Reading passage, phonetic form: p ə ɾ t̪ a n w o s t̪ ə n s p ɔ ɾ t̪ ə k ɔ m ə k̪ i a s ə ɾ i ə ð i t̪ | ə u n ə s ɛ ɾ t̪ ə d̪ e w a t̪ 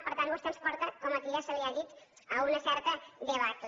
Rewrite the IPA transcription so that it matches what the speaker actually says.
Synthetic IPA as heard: p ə ɾ t̪ a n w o s t̪ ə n s p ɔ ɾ t̪ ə k ɔ m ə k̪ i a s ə l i a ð i t̪ | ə u n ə s ɛ ɾ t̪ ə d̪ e β a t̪